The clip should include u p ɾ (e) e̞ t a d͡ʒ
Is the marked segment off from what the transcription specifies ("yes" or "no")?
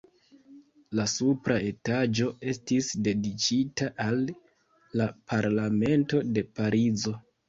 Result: yes